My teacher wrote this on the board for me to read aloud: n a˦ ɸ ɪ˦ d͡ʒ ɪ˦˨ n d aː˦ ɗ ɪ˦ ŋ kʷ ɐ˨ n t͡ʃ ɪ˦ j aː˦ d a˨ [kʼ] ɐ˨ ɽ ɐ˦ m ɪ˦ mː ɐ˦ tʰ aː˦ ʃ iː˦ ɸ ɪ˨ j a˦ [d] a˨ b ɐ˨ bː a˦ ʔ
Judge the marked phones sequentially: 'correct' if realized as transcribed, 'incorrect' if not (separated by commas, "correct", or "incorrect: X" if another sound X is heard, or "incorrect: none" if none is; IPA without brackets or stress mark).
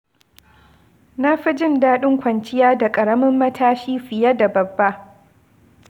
correct, correct